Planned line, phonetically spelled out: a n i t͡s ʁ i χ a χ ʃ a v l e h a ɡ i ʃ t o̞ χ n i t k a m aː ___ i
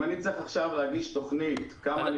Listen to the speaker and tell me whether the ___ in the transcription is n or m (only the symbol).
n